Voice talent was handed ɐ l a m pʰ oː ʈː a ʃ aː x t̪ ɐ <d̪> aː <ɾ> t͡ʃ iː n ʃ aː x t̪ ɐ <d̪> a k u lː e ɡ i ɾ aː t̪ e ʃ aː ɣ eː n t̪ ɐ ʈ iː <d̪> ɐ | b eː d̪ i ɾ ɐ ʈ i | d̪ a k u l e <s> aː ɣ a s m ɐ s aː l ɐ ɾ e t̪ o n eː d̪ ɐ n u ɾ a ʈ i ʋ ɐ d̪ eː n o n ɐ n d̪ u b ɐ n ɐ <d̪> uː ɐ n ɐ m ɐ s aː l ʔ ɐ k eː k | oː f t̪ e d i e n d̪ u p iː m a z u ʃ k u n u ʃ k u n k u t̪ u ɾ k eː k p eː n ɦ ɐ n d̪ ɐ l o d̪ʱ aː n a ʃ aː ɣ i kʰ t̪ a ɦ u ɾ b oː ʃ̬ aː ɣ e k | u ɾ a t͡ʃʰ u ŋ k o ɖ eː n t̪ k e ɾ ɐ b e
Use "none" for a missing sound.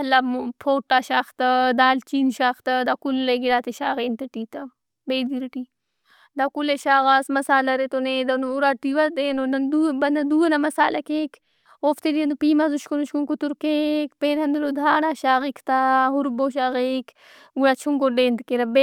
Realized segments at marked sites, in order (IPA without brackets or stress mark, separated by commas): d̪, l, d̪, t̪, ʃ, d̪